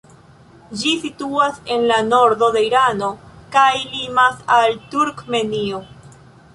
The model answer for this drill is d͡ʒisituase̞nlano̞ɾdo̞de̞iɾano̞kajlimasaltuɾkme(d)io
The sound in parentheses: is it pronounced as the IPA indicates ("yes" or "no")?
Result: no